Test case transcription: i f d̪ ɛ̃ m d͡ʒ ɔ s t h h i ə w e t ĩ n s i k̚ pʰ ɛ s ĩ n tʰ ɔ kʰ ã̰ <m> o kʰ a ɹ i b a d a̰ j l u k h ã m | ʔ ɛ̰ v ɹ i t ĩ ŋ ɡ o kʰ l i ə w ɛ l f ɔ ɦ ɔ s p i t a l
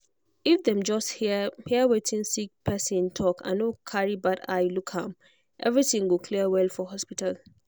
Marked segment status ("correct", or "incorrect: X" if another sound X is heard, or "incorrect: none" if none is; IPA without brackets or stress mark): incorrect: n